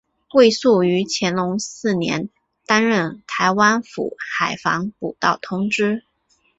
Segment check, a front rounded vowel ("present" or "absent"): present